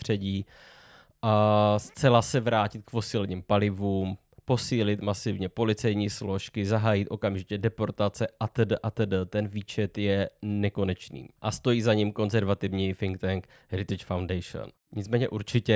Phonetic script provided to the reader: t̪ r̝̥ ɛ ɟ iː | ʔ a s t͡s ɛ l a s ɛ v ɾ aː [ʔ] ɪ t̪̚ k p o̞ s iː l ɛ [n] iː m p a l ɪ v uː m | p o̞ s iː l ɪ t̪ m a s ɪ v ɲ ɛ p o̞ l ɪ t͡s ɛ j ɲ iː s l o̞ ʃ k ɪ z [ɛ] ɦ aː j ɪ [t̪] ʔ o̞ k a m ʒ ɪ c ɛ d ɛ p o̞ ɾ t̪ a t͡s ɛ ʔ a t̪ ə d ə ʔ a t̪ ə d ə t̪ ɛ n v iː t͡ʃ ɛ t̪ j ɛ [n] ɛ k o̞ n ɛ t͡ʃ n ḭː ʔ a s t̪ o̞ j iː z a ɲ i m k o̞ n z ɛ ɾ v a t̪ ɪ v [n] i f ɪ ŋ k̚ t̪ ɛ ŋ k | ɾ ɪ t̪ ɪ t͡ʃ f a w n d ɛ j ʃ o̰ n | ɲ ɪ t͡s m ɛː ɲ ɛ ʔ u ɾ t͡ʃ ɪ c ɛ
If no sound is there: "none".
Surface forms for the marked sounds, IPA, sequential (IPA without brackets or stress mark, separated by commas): c, ɲ, a, t̪, n, ɲ